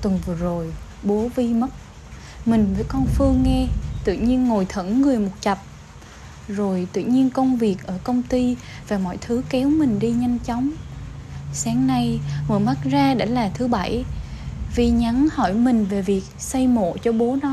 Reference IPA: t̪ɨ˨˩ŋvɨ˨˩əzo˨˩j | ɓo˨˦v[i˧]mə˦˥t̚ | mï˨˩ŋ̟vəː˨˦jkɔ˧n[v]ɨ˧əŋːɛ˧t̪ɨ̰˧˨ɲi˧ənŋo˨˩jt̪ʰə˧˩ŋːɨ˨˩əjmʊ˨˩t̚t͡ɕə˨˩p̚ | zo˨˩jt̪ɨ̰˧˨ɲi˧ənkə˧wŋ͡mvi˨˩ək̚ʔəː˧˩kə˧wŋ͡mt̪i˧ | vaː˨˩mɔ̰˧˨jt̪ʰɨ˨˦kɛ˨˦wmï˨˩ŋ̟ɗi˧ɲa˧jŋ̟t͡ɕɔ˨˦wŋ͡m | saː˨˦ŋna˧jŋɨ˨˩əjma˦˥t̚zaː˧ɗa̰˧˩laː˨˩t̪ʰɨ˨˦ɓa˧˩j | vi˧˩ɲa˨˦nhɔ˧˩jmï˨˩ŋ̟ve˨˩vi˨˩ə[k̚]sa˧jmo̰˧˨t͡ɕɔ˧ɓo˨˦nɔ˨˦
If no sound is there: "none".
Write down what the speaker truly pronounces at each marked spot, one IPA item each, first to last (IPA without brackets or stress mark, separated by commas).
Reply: i˧, f, k̚